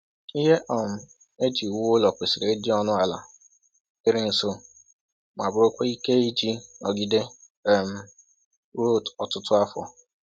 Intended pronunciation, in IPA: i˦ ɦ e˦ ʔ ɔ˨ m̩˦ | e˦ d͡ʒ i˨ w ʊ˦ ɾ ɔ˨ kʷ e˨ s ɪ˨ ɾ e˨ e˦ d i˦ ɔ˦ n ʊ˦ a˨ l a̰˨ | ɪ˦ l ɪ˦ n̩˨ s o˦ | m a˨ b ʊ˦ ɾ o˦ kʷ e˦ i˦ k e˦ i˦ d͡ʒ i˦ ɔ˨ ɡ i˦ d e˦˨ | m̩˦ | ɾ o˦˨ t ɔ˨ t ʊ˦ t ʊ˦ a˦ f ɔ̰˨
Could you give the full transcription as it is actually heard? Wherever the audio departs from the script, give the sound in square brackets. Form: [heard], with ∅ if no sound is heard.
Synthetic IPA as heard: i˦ ɦ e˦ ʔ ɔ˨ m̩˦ | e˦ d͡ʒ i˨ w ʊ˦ [l] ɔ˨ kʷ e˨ s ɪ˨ ɾ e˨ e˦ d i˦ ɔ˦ n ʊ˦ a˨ l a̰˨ | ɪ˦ [ɾ] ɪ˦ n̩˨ s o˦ | m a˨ b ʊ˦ ɾ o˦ kʷ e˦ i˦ k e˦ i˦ d͡ʒ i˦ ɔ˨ ɡ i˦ d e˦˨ | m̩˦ | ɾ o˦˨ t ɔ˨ t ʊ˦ t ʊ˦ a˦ f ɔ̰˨